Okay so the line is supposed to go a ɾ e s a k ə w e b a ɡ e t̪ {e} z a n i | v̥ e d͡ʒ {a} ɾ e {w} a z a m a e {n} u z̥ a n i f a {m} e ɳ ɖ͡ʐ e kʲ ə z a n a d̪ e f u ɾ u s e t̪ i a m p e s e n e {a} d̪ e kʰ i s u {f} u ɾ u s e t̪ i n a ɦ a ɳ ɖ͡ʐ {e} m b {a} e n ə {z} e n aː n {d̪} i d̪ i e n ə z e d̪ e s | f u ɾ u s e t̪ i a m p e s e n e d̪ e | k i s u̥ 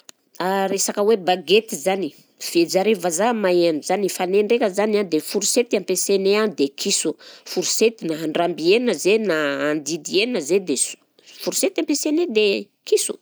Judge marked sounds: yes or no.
no, yes, no, yes, no, yes, yes, no, no, yes, yes

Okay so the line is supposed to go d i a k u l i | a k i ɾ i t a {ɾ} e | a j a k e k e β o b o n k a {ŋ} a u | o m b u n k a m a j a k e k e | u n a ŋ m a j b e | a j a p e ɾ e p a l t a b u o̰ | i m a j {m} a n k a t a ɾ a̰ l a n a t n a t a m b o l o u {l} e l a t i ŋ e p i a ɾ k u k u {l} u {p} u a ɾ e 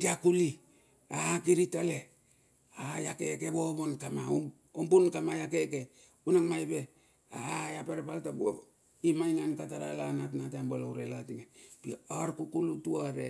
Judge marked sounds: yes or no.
no, no, no, no, yes, no

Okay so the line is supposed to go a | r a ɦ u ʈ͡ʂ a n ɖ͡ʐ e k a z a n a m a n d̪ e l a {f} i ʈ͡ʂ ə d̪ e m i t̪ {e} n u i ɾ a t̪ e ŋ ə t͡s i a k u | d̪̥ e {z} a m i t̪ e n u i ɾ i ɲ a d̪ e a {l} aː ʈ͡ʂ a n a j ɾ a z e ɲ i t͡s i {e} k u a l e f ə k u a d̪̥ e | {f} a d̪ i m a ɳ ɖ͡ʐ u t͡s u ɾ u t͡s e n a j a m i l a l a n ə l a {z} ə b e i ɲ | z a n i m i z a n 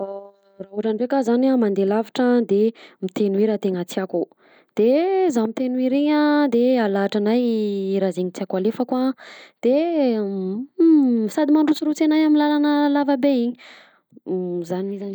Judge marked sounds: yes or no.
no, yes, yes, yes, no, no, no

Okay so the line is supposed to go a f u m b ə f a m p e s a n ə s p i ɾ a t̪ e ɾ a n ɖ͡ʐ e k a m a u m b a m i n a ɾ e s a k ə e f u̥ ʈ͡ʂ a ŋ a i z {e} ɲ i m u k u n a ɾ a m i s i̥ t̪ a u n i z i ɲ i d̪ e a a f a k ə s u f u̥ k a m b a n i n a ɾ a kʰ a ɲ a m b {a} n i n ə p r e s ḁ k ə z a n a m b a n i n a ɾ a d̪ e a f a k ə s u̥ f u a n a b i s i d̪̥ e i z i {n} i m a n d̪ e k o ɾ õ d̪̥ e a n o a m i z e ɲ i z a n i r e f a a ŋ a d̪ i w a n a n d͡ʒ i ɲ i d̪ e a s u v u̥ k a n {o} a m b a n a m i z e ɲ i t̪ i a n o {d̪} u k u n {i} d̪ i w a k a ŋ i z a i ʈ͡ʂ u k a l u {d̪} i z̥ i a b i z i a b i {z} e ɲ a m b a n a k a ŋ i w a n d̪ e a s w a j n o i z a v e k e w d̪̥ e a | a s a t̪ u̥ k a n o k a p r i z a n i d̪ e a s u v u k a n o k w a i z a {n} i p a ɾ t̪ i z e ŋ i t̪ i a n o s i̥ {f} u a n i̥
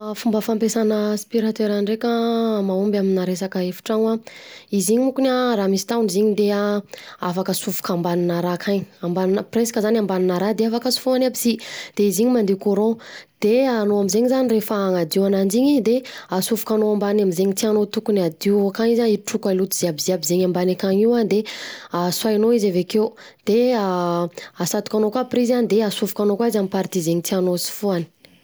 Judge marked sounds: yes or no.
no, yes, no, yes, no, no, no, yes, no, yes

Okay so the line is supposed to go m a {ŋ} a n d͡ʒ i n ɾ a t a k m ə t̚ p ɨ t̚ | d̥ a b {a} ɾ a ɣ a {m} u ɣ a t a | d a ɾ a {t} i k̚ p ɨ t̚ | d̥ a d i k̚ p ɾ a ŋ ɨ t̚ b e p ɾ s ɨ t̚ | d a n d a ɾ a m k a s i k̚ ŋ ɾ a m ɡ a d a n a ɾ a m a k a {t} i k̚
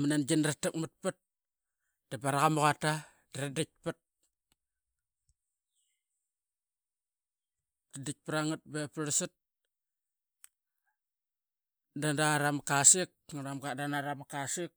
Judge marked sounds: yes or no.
no, yes, yes, no, no

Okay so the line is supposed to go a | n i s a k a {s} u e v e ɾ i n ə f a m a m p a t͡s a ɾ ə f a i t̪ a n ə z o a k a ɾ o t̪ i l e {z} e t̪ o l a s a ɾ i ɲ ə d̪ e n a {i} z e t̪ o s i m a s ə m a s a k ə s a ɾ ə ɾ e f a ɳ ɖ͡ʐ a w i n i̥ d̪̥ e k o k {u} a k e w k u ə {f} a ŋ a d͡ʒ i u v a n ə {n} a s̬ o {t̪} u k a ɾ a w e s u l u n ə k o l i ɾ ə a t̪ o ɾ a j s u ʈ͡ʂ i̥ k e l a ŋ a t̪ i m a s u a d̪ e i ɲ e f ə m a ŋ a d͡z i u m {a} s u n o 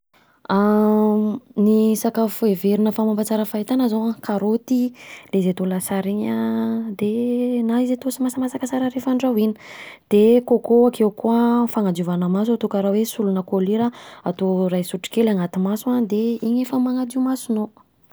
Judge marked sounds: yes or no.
no, yes, yes, no, yes, no, yes, yes

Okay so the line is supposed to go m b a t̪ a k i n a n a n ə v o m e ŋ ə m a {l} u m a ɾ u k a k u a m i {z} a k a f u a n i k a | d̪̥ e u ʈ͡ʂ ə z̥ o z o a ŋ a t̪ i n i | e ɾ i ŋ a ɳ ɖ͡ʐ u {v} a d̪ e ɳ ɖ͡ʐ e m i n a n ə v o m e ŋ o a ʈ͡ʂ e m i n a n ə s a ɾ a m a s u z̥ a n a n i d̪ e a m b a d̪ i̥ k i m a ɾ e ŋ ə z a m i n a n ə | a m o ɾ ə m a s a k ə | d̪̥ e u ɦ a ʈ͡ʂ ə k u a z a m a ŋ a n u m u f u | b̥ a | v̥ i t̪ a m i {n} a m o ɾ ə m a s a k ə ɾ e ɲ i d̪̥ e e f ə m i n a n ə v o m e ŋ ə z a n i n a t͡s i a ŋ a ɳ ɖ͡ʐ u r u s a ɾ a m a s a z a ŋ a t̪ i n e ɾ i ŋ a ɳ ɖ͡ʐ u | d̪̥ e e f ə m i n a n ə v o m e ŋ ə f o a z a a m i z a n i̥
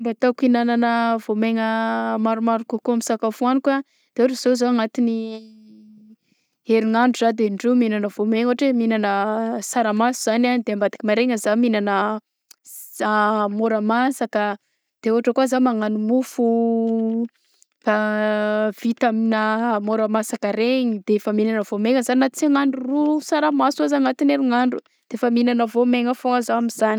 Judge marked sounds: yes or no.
no, no, no, yes

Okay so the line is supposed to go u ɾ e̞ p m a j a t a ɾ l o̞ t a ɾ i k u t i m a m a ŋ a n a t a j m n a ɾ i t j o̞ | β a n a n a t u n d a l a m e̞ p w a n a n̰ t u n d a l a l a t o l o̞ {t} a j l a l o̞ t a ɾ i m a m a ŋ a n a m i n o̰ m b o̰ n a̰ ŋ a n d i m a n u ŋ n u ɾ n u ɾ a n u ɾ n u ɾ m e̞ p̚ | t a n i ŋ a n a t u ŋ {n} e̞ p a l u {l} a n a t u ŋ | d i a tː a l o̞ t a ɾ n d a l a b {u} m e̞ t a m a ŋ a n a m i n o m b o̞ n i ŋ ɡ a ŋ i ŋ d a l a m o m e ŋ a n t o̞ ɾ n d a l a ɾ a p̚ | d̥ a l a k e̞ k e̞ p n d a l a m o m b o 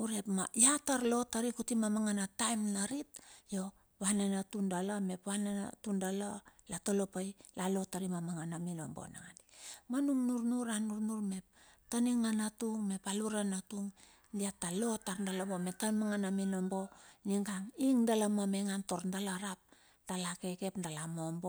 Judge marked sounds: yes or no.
no, no, no, no

